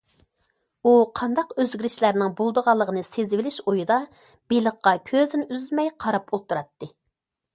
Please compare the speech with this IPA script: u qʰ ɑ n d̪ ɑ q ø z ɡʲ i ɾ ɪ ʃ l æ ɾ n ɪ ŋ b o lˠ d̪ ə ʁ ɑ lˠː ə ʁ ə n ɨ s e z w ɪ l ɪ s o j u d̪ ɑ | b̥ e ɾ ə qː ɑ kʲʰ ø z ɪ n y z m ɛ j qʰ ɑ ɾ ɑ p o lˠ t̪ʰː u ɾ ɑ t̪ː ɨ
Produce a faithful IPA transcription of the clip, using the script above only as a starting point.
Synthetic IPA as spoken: u qʰ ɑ n d̪ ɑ q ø z ɡʲ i ɾ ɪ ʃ l æ ɾ n ɪ ŋ b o lˠ d̪ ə ʁ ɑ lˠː ə ʁ ə n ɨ s e z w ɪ l ɪ ʃ o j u d̪ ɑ | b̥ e l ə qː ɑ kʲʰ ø z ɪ n y z m ɛ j qʰ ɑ ɾ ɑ p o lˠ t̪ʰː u ɾ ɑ t̪ː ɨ